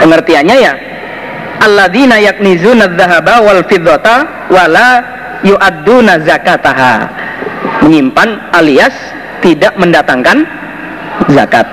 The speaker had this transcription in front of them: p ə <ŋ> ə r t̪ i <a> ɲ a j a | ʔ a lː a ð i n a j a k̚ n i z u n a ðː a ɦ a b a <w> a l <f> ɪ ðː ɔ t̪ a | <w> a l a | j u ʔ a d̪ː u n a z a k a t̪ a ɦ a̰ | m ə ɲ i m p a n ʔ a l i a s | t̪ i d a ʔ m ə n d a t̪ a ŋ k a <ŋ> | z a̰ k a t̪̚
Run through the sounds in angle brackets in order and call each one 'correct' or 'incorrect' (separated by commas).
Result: correct, correct, correct, correct, correct, incorrect